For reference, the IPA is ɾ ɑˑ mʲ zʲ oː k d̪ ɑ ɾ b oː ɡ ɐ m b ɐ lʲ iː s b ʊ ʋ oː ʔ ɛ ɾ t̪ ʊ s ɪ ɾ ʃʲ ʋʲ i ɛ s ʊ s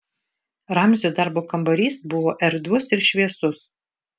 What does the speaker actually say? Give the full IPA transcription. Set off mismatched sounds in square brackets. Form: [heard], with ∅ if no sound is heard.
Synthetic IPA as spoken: ɾ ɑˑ mʲ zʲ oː [∅] d̪ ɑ ɾ b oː [k] ɐ m b ɐ [ɾʲ] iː s b ʊ ʋ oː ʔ ɛ ɾ [d̪] ʊ s ɪ ɾ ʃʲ ʋʲ i ɛ s ʊ s